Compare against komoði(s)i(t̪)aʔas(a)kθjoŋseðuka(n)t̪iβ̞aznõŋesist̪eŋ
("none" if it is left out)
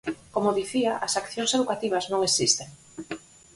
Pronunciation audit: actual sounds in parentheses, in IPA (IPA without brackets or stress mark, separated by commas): θ, none, a, none